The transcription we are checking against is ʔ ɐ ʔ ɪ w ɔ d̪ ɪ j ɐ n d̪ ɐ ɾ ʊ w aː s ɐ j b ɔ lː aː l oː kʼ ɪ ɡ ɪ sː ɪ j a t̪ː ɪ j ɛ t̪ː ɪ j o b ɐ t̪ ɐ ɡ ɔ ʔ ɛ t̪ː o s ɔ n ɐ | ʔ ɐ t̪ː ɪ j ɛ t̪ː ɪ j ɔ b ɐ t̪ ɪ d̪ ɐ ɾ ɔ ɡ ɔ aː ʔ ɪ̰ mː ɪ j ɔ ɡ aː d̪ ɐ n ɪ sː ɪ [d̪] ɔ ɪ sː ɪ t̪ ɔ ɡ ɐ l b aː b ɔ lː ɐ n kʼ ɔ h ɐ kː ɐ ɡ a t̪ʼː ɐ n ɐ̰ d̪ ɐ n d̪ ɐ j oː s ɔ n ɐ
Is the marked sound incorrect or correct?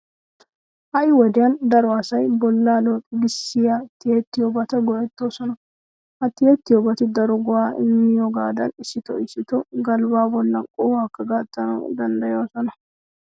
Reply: incorrect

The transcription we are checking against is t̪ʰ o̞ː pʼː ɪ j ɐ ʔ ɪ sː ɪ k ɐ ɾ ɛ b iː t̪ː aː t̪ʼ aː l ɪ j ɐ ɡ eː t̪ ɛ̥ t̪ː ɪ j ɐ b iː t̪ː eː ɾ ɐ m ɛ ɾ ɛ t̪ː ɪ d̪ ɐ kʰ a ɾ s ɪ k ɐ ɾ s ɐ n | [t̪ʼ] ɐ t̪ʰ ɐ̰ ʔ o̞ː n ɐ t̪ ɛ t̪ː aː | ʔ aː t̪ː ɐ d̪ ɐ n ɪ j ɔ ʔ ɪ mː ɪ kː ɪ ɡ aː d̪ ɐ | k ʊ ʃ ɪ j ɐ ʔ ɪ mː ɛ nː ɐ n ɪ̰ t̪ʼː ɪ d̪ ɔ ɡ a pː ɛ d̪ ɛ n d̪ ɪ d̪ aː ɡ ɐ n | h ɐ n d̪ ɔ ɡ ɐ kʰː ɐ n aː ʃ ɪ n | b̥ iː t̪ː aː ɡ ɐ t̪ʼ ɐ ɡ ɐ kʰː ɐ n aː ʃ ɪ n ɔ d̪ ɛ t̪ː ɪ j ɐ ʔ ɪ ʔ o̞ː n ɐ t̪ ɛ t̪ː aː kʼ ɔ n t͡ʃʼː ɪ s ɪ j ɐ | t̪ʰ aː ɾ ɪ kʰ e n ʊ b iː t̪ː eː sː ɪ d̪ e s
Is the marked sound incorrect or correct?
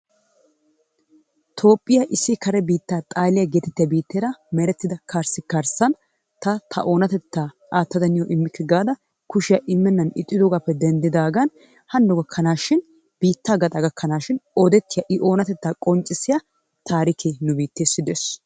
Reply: incorrect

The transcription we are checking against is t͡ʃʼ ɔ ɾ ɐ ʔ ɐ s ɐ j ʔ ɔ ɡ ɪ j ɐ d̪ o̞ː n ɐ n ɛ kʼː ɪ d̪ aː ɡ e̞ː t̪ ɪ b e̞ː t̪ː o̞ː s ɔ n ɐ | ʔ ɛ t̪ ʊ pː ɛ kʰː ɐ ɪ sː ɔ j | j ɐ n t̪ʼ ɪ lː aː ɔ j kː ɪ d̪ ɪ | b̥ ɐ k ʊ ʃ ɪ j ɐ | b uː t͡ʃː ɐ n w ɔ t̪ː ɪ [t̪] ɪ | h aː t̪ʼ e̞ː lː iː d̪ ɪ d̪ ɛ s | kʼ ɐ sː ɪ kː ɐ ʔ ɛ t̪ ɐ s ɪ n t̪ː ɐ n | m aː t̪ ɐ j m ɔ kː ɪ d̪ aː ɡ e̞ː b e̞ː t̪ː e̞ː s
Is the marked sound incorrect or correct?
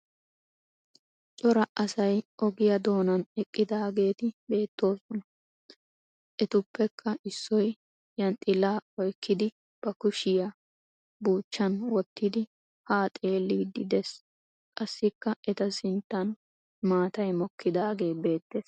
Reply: incorrect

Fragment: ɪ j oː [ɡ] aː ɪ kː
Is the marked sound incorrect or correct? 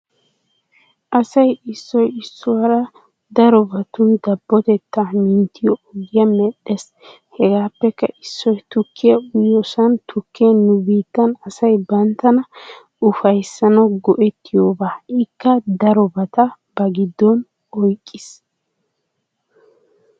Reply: incorrect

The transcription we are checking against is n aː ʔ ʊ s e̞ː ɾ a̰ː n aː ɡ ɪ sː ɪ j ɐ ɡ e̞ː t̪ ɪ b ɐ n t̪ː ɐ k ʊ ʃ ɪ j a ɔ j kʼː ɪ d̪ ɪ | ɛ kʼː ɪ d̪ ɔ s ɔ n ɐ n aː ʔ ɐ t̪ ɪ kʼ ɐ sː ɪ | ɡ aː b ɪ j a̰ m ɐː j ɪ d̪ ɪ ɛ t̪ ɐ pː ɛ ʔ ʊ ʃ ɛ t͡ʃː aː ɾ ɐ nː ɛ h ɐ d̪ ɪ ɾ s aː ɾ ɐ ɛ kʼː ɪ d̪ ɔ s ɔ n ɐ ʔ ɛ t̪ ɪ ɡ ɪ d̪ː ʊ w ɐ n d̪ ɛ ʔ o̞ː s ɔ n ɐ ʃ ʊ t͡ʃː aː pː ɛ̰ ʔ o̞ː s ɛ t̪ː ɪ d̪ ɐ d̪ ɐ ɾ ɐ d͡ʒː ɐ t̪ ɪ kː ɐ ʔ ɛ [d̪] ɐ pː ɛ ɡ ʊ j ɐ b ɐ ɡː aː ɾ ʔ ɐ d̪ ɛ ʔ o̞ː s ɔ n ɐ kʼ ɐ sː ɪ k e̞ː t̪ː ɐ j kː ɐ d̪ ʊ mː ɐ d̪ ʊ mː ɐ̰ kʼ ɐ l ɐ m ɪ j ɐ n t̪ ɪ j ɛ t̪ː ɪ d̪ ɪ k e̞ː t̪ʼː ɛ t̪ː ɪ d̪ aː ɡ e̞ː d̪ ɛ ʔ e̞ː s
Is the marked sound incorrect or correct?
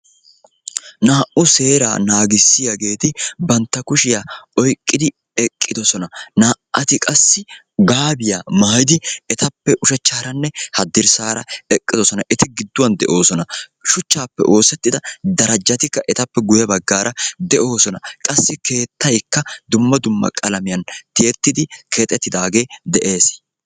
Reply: incorrect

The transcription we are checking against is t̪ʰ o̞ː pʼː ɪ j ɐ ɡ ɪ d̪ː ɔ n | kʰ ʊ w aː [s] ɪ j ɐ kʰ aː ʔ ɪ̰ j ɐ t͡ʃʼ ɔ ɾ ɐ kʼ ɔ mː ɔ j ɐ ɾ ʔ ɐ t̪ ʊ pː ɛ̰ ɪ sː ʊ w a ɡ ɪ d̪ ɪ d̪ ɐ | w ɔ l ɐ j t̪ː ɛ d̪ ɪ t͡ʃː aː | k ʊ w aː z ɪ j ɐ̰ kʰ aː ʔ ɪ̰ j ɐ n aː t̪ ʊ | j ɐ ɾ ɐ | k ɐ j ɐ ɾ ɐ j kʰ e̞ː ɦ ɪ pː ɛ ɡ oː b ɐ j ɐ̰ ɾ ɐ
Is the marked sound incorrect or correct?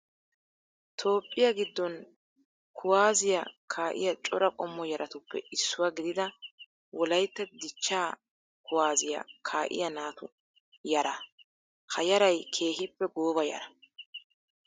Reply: incorrect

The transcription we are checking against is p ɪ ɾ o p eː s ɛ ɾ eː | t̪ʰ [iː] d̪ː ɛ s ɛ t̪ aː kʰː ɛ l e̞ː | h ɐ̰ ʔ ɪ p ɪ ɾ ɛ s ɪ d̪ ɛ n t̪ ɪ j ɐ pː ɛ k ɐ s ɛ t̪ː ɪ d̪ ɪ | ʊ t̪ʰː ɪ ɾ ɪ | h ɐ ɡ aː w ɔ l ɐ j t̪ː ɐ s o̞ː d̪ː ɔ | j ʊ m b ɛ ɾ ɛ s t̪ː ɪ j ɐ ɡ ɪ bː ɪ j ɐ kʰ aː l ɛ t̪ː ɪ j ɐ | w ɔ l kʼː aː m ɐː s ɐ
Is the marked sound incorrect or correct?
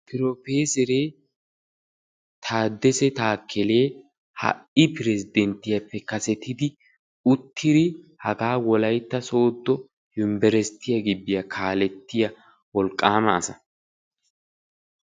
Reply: incorrect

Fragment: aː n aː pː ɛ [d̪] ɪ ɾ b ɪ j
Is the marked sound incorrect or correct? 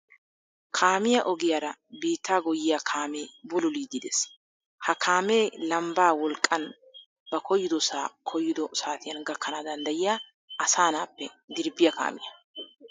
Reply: correct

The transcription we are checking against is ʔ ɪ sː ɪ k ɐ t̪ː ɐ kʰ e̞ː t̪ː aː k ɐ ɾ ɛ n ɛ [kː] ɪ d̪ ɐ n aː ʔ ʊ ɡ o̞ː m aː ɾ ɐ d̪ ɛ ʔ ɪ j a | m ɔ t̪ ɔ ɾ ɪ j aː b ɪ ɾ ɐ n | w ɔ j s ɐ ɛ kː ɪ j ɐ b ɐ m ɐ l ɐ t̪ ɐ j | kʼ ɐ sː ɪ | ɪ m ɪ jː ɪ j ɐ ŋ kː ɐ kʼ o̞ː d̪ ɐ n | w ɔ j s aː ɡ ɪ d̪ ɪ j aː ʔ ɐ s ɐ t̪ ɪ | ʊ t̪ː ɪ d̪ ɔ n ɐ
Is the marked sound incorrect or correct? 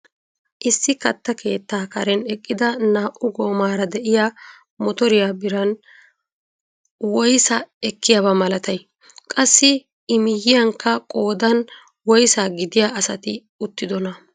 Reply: incorrect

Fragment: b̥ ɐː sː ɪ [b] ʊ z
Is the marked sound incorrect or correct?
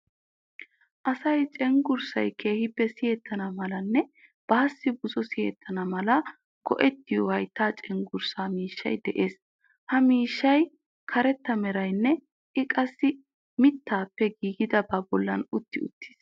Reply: correct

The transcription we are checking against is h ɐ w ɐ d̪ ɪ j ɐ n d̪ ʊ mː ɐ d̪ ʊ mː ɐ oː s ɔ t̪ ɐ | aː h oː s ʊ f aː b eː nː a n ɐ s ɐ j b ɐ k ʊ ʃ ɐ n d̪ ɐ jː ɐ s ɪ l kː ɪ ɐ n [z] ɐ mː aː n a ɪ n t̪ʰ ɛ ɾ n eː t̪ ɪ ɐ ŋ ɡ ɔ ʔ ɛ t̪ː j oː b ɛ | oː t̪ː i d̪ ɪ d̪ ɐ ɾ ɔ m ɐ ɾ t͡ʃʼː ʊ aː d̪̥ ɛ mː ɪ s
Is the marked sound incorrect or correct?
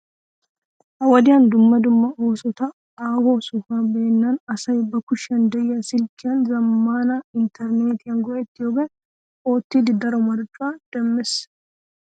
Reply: correct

